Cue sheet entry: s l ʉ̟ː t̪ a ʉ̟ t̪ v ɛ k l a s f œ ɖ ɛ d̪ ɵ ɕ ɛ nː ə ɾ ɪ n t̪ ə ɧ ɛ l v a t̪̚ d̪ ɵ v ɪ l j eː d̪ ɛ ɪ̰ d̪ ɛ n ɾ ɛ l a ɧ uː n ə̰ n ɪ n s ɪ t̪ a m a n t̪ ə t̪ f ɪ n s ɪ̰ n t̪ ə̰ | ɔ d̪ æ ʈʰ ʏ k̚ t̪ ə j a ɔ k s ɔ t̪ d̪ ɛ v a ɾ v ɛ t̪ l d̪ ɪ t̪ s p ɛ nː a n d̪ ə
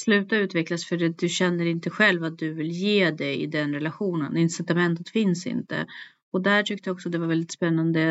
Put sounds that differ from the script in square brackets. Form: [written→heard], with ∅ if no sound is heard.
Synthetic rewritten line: s l ʉ̟ː t̪ a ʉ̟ t̪ v ɛ k l a s f œ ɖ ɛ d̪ ɵ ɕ ɛ nː ə ɾ ɪ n t̪ ə ɧ ɛ l v a t̪̚ d̪ ɵ v ɪ l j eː d̪ ɛ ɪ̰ d̪ ɛ n ɾ ɛ l a ɧ uː n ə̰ n ɪ n s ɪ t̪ a m [a→ɛ] n t̪ ə t̪ f ɪ n s ɪ̰ n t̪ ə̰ | ɔ d̪ æ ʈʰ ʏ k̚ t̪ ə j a ɔ k s ɔ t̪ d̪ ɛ v a ɾ v ɛ [t̪→∅] l d̪ ɪ t̪ s p ɛ nː a n d̪ ə